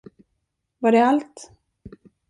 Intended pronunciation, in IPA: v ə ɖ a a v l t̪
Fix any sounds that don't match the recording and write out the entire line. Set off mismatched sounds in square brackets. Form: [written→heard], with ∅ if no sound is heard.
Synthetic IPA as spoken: v [ə→a] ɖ [a→ɛ] a [v→∅] l t̪